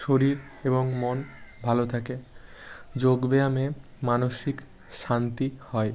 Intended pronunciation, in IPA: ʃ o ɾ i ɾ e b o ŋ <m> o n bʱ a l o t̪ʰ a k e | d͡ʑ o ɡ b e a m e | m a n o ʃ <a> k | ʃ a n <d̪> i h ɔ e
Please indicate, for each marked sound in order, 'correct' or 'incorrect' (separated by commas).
correct, incorrect, incorrect